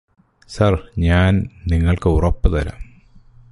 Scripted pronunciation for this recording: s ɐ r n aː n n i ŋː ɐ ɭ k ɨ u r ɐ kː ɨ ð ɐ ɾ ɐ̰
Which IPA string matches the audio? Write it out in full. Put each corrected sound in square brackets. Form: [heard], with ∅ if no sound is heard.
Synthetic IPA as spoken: s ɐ r [ɲ] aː n n i ŋː ɐ ɭ k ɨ u r ɐ [pː] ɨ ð ɐ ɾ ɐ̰